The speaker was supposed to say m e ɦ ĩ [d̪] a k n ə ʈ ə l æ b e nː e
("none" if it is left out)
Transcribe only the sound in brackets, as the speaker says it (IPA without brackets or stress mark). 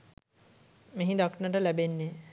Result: d̪